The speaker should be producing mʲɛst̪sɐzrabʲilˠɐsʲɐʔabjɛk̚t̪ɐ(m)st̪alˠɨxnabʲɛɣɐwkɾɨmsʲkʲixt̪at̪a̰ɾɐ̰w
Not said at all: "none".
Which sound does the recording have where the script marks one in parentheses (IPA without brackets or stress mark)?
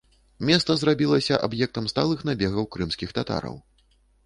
m